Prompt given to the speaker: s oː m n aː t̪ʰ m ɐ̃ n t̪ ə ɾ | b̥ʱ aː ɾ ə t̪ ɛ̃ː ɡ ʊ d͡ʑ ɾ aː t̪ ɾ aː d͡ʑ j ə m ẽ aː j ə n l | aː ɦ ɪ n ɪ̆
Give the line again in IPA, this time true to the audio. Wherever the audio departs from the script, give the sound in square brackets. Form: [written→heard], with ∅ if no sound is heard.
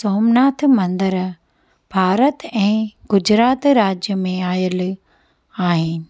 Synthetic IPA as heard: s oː m n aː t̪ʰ m ɐ̃ n [t̪→d̪] ə ɾ | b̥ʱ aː ɾ ə t̪ ɛ̃ː ɡ ʊ d͡ʑ ɾ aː t̪ ɾ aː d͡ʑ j ə m ẽ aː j ə [n→∅] l | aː ɦ ɪ n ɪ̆